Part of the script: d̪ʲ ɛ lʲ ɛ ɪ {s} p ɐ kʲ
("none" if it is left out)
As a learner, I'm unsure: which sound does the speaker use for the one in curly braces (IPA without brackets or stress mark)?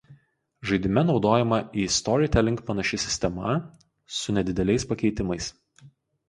s